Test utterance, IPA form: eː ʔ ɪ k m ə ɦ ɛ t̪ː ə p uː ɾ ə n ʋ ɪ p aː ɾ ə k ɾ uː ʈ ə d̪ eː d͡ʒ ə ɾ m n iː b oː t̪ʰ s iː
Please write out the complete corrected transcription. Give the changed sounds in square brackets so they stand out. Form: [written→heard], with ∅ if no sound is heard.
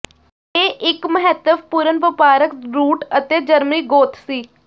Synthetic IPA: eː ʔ ɪ k m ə ɦ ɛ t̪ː ə p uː ɾ ə n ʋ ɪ p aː ɾ ə k ɾ uː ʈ ə [d̪→t̪] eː d͡ʒ ə ɾ m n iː [b→ɡ] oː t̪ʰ s iː